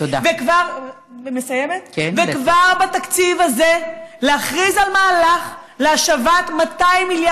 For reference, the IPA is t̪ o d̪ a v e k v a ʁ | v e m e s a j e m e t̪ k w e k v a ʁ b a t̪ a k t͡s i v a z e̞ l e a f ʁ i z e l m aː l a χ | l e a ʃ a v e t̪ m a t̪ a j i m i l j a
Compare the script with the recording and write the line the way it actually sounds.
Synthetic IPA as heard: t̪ o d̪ a v e k v a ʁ | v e m e s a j e m e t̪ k v e k v a ʁ b a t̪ a k t͡s i v a z e̞ l e a χ ʁ i z a l m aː l a χ | l e a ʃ a v a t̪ m a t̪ a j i m i l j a